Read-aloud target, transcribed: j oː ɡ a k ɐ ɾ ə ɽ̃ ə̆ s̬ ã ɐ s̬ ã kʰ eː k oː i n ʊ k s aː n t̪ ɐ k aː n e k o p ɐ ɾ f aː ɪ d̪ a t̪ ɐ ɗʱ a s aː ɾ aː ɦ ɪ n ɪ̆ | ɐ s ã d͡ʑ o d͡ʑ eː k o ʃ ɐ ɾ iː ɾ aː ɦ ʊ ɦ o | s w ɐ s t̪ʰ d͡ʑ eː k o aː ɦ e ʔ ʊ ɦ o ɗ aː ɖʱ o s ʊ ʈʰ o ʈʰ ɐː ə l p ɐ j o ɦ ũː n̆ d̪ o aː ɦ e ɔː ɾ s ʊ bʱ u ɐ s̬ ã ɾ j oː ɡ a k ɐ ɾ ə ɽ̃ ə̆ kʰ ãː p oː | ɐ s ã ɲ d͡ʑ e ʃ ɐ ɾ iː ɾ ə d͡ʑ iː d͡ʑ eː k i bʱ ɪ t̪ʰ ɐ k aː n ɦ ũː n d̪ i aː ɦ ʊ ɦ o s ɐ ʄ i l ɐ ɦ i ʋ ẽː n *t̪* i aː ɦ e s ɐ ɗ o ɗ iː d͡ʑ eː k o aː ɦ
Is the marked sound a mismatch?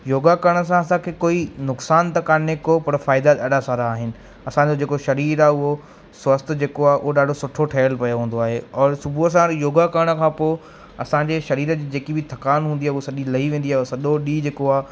yes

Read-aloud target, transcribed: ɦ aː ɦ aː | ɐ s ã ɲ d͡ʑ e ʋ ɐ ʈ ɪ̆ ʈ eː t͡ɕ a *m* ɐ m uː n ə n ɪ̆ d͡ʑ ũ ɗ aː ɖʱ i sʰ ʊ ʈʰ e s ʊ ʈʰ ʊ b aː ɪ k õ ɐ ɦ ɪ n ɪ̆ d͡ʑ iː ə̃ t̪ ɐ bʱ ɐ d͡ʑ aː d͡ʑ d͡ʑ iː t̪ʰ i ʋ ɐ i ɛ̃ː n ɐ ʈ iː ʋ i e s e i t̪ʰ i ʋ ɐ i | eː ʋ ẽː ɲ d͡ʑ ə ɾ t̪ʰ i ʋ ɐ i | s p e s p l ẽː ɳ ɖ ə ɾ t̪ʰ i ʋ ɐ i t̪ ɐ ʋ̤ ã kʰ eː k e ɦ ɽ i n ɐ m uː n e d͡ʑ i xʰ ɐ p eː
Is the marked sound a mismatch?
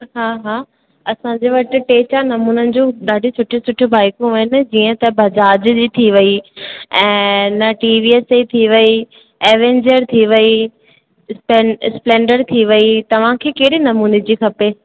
yes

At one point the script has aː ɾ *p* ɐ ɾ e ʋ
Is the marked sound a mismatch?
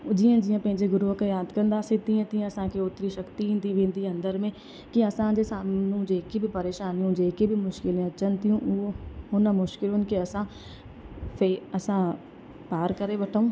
yes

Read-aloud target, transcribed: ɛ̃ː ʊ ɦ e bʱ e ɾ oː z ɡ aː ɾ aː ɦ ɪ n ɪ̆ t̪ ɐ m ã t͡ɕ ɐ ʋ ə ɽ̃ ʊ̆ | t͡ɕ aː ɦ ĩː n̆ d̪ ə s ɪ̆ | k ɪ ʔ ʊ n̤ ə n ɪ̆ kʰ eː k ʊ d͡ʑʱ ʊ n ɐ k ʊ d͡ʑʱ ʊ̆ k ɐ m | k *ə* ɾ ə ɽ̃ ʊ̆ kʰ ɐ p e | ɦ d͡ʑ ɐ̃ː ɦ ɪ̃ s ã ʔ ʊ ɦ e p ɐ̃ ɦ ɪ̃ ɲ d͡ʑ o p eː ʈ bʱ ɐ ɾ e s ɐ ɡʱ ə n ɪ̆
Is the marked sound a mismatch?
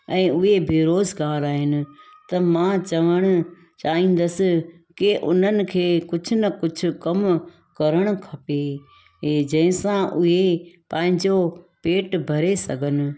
yes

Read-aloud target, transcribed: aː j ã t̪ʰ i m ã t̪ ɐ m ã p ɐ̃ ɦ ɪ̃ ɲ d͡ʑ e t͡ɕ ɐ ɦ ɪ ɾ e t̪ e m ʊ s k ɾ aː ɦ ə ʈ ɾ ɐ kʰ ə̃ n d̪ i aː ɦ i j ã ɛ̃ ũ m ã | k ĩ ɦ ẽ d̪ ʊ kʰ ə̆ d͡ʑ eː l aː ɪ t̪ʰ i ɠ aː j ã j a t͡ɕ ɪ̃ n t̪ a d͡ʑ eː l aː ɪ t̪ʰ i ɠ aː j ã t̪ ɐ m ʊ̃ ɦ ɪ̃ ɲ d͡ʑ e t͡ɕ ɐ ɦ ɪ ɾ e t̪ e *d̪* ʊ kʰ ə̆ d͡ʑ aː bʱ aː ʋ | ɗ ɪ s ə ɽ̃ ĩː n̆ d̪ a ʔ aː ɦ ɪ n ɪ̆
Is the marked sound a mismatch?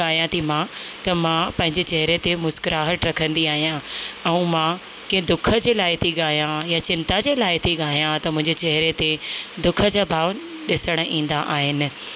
no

